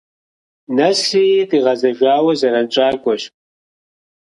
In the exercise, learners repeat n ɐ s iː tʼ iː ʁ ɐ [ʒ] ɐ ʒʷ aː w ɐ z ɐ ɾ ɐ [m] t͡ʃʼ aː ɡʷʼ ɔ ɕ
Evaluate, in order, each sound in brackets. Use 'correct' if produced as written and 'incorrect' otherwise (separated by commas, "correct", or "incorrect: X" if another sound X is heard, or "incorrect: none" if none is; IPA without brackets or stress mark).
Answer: incorrect: z, incorrect: n